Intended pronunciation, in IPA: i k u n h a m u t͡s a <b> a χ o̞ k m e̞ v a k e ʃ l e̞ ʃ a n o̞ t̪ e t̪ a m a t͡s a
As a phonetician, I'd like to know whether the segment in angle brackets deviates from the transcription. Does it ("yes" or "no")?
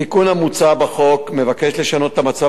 no